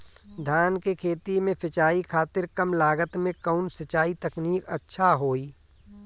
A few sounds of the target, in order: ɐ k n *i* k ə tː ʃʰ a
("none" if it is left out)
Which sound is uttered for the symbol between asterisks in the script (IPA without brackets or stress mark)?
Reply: iː